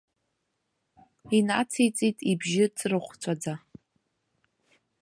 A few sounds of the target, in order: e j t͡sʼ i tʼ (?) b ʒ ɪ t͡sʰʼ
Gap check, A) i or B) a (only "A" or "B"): A